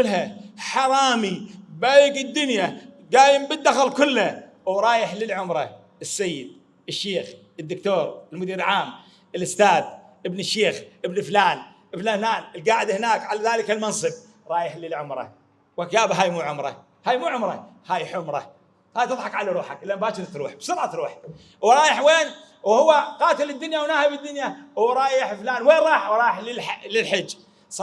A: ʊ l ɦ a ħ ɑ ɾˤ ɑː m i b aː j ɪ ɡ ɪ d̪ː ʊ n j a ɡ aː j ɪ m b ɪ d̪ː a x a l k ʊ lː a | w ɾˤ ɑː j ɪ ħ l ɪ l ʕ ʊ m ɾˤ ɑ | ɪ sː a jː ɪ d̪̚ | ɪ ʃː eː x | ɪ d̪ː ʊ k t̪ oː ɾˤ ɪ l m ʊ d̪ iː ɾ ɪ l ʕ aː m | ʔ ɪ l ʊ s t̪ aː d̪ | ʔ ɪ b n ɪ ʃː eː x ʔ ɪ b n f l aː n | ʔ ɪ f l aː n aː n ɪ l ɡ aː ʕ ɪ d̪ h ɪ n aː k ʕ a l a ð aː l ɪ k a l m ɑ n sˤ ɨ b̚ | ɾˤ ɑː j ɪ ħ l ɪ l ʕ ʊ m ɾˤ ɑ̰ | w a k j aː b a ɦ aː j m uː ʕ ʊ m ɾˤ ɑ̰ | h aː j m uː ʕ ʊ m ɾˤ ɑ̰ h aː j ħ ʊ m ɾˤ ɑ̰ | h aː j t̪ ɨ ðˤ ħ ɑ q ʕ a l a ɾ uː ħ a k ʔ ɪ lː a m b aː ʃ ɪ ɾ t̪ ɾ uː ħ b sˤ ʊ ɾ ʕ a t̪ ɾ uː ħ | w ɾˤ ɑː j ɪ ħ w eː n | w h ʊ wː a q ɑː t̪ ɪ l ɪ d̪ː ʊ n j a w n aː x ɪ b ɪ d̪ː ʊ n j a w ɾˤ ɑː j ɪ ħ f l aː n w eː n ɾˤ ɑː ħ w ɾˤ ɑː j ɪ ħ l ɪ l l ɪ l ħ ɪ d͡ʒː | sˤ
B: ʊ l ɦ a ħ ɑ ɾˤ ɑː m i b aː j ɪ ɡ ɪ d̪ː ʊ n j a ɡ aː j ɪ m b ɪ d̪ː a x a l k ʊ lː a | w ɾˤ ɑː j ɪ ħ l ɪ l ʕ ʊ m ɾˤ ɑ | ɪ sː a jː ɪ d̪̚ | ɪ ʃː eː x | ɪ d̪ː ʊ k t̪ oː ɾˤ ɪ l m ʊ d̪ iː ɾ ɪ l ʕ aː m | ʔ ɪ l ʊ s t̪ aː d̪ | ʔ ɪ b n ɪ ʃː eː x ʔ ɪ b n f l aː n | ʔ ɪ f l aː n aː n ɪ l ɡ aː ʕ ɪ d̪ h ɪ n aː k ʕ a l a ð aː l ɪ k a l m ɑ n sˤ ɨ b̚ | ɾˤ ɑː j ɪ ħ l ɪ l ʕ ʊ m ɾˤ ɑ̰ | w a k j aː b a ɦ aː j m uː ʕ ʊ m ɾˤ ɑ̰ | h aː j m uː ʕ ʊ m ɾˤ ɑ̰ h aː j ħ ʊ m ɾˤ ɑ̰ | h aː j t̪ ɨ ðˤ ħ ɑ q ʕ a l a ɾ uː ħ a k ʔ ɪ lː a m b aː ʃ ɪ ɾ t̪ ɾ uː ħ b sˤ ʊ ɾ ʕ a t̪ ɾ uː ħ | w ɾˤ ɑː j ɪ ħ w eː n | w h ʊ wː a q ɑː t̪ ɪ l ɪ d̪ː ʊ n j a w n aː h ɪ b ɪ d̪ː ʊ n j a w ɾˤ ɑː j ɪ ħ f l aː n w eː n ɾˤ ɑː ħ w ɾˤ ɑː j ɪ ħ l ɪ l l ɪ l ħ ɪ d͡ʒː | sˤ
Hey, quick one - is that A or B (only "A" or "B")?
B